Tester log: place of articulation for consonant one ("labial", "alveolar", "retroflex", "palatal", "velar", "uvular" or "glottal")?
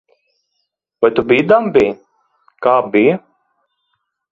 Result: labial